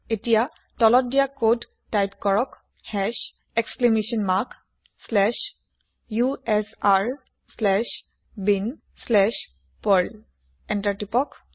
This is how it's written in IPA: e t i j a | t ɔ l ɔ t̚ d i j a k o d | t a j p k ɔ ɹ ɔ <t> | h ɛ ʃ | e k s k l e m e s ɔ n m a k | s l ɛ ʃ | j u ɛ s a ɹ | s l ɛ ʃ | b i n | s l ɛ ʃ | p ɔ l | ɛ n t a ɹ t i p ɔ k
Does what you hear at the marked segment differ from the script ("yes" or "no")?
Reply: yes